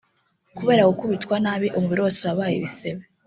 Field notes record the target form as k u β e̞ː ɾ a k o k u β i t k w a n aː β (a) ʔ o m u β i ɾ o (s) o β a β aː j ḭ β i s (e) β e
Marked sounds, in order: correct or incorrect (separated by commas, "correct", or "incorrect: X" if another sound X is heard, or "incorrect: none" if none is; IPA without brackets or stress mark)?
incorrect: i, correct, correct